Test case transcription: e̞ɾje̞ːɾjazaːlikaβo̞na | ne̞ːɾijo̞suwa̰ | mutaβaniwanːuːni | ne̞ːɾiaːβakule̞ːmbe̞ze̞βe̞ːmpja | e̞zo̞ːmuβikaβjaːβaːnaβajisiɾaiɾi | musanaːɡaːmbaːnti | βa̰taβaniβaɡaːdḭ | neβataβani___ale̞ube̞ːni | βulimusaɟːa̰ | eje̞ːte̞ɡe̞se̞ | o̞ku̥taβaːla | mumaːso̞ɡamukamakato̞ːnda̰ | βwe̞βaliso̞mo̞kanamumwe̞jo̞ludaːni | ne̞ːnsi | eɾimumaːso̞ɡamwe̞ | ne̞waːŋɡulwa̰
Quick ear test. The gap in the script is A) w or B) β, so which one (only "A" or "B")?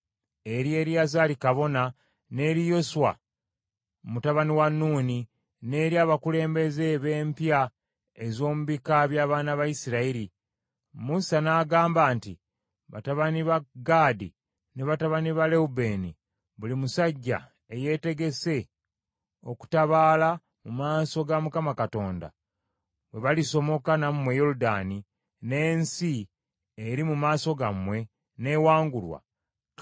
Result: B